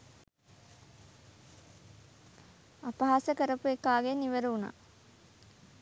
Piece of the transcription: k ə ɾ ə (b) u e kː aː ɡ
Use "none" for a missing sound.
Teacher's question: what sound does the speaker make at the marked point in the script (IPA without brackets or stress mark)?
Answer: p